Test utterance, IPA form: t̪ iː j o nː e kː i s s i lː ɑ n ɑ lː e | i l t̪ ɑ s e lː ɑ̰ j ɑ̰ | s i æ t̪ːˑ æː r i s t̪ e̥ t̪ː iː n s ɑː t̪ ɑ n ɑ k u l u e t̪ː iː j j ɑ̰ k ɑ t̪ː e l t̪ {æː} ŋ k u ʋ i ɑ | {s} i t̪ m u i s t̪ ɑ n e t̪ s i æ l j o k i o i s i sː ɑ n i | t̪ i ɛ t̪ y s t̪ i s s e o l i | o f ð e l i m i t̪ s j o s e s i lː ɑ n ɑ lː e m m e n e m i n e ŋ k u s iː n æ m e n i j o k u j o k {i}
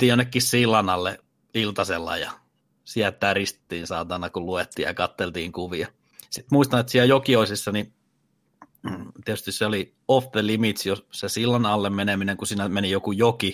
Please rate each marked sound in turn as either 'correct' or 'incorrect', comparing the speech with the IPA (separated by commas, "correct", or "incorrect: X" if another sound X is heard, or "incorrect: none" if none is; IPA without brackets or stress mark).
incorrect: iː, correct, correct